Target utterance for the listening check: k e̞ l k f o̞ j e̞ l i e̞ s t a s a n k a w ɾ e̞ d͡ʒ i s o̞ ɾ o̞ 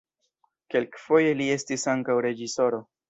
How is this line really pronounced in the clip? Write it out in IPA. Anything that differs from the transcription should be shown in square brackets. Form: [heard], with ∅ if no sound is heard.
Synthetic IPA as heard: k e̞ l k f o̞ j e̞ l i e̞ s t [i] s a [ŋ] k a w ɾ e̞ d͡ʒ i s o̞ ɾ o̞

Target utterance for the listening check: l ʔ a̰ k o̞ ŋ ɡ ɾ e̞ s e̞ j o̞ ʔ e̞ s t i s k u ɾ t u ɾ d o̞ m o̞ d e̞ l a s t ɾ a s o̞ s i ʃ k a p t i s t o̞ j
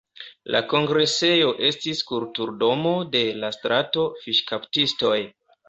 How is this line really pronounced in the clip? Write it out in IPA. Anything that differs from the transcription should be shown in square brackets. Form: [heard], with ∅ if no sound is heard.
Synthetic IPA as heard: l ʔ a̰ k o̞ ŋ ɡ ɾ e̞ s e̞ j o̞ ʔ e̞ s t i s k u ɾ t u ɾ d o̞ m o̞ d e̞ l a s t ɾ a [t] o̞ [f] i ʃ k a p t i s t o̞ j

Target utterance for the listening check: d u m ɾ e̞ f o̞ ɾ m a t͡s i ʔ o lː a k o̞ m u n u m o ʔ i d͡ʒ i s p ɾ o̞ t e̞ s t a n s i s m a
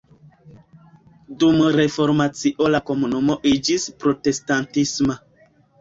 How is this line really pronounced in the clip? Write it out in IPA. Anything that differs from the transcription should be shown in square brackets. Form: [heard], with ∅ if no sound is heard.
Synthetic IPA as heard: d u m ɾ e̞ f o̞ ɾ m a t͡s i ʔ o [l] a k o̞ m u n u m o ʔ i d͡ʒ i s p ɾ o̞ t e̞ s t a n [t] i s m a

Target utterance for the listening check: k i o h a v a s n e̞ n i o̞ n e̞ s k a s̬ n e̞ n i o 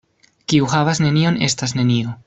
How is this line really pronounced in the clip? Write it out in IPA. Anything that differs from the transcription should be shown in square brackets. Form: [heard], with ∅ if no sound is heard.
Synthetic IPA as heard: k i [u] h a v a s n e̞ n i o̞ n e̞ s [t] a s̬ n e̞ n i o

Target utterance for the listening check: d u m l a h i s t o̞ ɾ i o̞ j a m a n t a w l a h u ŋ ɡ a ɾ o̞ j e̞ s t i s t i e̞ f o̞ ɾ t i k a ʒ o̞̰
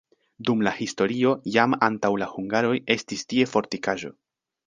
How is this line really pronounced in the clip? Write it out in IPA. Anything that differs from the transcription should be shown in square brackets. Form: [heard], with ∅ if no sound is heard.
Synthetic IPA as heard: d u m l a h i s t o̞ ɾ i o̞ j a m a n t a w l a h u ŋ ɡ a ɾ o̞ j e̞ s t i s t i e̞ f o̞ ɾ t i k a ʒ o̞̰

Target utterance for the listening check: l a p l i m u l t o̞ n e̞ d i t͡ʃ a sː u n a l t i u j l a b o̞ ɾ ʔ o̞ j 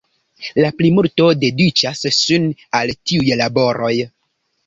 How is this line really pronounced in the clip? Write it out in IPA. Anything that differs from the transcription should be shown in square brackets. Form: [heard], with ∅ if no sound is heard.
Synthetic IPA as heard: l a p l i m u l t o̞ [d] e̞ d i t͡ʃ a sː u n a l t i u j l a b o̞ ɾ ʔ o̞ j

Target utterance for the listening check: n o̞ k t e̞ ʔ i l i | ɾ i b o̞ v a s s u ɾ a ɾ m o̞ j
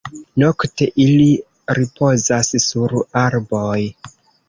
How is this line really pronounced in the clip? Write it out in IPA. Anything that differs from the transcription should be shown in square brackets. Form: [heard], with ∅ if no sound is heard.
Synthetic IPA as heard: n o̞ k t e̞ ʔ i l i | ɾ i [p] o̞ [z] a s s u ɾ a ɾ [b] o̞ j

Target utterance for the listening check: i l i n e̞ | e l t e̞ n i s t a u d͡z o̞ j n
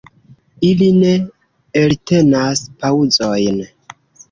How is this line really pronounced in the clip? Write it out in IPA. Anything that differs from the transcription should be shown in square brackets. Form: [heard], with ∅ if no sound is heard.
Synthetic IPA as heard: i l i n e̞ | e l t e̞ n [a] s [p] a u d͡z o̞ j n

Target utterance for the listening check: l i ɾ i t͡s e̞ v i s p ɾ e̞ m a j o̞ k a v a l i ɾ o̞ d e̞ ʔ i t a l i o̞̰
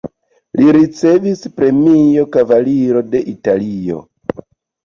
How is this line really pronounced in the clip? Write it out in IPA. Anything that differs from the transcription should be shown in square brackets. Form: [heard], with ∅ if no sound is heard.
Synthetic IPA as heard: l i ɾ i t͡s e̞ v i s p ɾ e̞ m [i] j o̞ k a v a l i ɾ o̞ d e̞ ʔ i t a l i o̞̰

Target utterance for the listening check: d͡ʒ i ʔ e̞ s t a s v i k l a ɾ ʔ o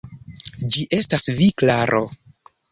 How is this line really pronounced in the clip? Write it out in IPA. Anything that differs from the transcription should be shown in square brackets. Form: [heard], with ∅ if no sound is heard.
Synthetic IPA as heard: d͡ʒ i ʔ e̞ s t a s v i k l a ɾ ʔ o

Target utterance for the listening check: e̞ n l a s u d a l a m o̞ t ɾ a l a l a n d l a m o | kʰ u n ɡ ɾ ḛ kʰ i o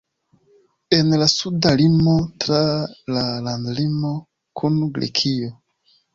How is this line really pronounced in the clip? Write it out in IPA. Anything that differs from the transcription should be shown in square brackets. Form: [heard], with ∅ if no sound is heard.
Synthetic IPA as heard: e̞ n l a s u d a l [i] m o̞ t ɾ a l a l a n d l [i] m o | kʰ u n ɡ ɾ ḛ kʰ i o

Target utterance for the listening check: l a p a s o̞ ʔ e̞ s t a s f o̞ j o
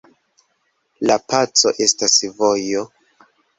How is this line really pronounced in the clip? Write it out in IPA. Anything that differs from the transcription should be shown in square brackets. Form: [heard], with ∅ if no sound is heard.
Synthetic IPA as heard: l a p a [t͡s] o̞ ʔ e̞ s t a s [v] o̞ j o

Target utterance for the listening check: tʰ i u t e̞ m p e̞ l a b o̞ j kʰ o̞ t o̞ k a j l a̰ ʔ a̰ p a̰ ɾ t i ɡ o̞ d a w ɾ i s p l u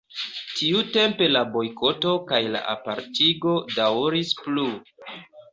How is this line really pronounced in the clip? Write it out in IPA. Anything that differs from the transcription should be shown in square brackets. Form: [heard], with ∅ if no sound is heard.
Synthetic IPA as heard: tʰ i u t e̞ m p e̞ l a b o̞ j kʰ o̞ t o̞ k a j l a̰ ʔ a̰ p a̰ ɾ t i ɡ o̞ d a w ɾ i s p l u

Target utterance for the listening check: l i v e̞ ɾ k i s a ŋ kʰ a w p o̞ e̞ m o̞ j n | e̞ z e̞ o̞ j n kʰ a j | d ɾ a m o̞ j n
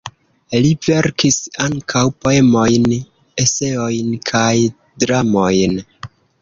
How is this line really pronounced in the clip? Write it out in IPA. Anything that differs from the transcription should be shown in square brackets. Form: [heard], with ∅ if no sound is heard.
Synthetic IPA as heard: l i v e̞ ɾ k i s a ŋ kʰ a w p o̞ e̞ m o̞ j n | e̞ [s] e̞ o̞ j n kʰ a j | d ɾ a m o̞ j n

